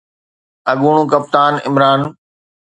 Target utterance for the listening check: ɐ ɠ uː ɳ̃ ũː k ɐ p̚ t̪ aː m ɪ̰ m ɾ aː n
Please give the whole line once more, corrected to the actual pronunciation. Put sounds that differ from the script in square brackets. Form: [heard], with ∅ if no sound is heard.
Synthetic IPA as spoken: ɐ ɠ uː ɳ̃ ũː k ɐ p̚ t̪ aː [n] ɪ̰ m ɾ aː n